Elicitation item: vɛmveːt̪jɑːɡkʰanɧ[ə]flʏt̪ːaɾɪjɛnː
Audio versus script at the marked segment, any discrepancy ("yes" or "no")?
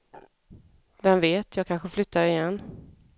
no